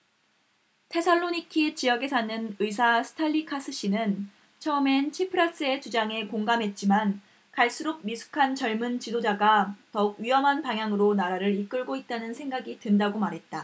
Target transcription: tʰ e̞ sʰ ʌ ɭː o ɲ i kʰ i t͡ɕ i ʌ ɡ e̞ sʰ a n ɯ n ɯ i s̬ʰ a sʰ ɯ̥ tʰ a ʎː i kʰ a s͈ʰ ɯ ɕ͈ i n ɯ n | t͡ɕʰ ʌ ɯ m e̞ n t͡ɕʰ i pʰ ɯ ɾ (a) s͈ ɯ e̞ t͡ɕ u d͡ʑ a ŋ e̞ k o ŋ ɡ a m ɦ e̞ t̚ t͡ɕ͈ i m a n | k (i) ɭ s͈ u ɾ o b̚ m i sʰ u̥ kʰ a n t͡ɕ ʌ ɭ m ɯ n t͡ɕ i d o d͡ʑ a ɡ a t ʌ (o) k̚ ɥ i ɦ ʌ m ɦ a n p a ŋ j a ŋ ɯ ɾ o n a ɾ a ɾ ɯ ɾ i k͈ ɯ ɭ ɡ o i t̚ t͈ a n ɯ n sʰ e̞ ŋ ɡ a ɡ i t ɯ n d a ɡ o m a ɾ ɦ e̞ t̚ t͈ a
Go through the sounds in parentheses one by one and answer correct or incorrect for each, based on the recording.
correct, incorrect, incorrect

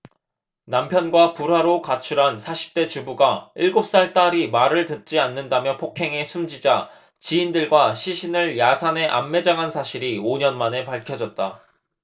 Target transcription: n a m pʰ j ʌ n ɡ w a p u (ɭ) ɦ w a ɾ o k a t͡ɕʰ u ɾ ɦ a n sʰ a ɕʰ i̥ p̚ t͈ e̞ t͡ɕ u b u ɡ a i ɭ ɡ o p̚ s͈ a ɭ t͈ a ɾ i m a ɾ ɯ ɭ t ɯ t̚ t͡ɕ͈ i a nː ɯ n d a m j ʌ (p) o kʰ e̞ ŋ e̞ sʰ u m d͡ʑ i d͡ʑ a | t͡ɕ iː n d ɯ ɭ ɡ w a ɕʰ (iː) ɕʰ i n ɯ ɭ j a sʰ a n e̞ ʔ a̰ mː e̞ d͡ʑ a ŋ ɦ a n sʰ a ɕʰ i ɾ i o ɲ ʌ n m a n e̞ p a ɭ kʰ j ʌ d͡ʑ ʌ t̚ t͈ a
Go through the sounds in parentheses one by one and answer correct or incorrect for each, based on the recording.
incorrect, incorrect, incorrect

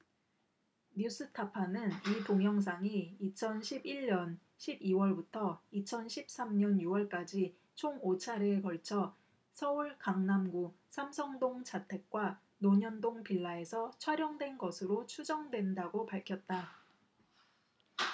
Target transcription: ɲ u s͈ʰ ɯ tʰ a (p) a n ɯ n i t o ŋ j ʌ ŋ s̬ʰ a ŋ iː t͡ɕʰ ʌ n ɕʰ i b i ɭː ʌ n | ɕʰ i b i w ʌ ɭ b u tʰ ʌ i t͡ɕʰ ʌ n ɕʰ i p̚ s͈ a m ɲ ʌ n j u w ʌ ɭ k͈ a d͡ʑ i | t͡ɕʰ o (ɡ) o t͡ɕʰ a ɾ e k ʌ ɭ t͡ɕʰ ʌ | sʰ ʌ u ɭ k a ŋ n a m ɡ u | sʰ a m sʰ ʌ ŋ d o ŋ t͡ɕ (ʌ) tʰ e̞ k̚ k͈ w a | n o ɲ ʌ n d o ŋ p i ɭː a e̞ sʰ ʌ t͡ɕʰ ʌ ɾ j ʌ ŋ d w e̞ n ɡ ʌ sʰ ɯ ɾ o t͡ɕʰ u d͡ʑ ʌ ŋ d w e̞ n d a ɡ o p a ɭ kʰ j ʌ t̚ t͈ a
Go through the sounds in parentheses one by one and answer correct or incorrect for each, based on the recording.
incorrect, incorrect, incorrect

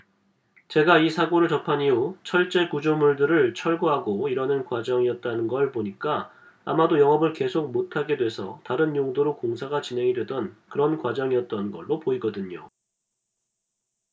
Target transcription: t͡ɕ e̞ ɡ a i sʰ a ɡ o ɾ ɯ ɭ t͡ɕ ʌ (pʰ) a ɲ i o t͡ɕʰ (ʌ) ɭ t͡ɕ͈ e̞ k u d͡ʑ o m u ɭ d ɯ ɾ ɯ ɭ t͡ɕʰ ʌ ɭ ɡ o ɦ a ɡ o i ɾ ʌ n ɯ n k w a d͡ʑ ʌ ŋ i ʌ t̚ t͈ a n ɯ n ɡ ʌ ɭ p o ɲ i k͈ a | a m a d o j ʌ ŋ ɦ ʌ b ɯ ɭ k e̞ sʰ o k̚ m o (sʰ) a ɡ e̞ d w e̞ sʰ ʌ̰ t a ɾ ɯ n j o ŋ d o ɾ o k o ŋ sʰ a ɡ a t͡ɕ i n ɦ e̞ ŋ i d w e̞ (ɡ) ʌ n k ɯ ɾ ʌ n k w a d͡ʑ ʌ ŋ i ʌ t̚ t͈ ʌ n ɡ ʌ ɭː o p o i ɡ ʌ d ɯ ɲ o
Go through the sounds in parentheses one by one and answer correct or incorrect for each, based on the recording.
correct, correct, incorrect, incorrect

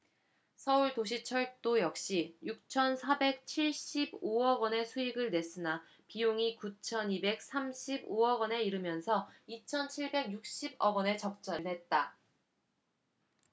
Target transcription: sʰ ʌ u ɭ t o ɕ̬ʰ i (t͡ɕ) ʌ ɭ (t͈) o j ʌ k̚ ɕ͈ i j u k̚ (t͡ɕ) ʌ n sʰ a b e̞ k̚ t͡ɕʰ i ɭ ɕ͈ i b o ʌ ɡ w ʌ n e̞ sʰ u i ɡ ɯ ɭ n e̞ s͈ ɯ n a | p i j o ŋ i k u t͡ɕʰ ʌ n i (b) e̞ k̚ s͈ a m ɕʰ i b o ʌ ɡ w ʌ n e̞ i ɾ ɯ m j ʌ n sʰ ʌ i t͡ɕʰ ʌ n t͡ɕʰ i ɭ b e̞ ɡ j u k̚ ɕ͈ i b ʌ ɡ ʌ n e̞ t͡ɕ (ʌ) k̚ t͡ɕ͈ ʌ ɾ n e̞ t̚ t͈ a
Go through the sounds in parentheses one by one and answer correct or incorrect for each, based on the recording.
incorrect, correct, incorrect, correct, correct

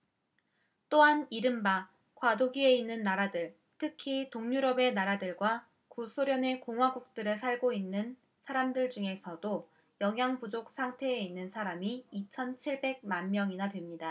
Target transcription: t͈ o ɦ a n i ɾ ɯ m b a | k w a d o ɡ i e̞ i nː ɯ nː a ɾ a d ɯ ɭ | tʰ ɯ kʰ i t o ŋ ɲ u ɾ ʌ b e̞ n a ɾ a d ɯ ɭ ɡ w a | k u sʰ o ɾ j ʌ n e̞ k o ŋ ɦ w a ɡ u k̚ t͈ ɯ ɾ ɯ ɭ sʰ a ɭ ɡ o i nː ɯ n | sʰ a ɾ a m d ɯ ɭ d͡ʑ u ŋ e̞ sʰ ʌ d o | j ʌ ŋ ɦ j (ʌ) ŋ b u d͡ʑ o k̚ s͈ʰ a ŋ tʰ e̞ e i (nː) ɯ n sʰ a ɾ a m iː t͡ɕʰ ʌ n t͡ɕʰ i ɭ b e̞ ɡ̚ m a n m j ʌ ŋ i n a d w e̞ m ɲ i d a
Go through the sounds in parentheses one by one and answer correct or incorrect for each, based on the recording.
incorrect, correct

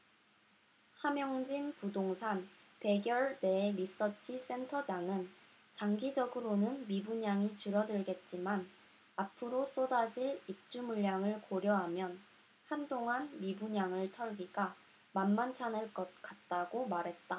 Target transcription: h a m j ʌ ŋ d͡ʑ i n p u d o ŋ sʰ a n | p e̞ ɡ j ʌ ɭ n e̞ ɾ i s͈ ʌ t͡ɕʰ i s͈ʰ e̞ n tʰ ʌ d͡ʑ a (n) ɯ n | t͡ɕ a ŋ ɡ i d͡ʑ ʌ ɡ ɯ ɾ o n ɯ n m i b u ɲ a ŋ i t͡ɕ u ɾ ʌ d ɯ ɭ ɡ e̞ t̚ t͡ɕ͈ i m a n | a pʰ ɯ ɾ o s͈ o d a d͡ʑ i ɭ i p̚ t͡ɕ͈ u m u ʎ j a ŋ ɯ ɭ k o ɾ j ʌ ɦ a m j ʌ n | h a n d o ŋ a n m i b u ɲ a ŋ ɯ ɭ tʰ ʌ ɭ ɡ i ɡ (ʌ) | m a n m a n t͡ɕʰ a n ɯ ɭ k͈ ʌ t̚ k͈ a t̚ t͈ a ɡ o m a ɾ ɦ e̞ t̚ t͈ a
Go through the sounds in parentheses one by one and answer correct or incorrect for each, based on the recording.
incorrect, incorrect

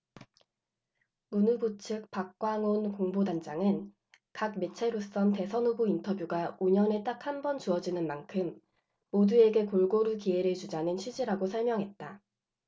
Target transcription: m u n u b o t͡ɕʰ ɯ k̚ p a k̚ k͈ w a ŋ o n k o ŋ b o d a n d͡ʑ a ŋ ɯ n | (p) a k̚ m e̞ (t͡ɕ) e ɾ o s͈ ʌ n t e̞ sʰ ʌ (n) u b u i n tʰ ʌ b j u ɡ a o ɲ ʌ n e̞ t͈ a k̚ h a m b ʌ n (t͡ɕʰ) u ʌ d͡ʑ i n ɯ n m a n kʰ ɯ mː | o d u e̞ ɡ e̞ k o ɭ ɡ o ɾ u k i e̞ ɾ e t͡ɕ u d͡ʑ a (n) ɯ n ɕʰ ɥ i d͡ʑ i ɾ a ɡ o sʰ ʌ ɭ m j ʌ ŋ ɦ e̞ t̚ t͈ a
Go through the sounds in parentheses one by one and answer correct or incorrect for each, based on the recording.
incorrect, incorrect, correct, incorrect, correct

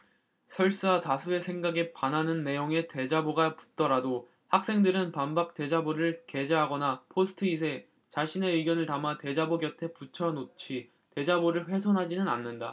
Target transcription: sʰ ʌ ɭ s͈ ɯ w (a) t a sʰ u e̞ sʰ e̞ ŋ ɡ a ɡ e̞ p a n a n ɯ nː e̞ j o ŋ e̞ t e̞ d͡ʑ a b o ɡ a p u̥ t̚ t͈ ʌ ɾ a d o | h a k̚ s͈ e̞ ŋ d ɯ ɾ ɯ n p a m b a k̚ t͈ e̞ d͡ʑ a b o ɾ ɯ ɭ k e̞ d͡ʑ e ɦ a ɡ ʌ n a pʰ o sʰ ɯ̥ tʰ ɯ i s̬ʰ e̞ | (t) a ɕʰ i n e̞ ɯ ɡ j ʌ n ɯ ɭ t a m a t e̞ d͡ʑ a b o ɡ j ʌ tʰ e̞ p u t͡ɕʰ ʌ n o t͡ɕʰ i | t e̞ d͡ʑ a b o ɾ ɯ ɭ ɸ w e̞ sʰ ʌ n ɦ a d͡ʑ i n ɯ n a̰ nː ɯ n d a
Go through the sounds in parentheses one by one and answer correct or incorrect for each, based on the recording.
correct, incorrect

